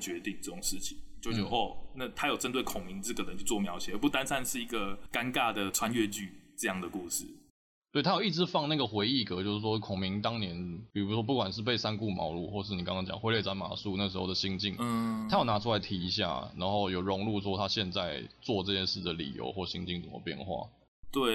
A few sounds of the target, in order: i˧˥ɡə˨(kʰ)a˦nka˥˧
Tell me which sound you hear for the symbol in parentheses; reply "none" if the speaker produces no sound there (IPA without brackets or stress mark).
k